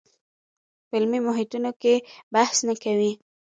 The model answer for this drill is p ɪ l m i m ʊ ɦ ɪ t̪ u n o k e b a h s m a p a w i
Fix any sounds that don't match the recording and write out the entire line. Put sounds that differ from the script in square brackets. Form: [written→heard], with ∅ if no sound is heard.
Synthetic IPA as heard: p ɪ l m i m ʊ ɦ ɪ t̪ u n o k e b a h s [m→n] a [p→k] a w i